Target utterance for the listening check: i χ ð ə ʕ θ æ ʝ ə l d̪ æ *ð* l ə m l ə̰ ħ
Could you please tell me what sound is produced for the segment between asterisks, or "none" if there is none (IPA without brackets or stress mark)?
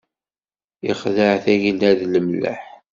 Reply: ð